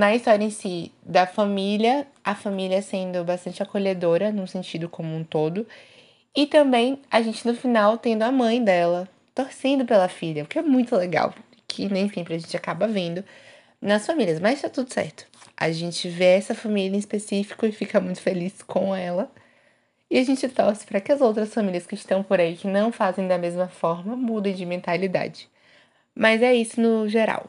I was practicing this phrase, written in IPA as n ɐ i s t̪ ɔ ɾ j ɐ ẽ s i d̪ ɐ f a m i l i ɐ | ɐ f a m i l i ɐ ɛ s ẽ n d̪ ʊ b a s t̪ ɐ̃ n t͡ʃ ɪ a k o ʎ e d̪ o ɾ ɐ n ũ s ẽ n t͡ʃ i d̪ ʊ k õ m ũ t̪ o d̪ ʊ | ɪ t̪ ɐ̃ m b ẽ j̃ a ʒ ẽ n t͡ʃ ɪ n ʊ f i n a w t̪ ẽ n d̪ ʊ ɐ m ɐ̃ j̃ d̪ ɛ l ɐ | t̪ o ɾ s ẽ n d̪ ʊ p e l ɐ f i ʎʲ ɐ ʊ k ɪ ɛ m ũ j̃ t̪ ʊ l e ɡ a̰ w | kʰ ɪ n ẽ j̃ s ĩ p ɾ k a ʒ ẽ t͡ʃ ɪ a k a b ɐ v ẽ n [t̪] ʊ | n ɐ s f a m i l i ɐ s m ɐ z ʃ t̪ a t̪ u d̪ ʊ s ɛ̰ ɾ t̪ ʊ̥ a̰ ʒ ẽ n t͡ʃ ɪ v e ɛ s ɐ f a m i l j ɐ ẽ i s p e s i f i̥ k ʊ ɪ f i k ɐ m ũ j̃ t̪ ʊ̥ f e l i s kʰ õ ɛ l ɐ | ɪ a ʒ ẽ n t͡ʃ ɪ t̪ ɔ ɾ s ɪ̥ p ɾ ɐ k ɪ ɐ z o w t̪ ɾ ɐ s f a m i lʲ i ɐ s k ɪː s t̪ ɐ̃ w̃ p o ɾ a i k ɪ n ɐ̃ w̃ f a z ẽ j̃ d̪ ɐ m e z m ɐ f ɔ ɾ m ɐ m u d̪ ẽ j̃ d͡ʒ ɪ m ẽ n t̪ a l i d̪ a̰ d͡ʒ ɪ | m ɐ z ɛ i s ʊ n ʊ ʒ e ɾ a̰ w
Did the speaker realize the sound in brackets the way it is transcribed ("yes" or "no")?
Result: no